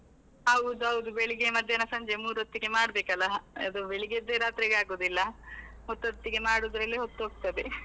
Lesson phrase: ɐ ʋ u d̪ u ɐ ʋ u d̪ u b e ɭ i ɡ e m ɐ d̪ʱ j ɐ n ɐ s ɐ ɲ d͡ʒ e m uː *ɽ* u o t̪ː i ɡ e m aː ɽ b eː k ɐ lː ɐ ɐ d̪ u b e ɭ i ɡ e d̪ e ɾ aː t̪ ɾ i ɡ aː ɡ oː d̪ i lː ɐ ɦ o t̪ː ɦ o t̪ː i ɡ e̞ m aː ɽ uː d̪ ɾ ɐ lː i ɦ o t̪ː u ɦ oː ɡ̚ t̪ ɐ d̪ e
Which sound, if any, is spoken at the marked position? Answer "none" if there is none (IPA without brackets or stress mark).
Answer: ɾ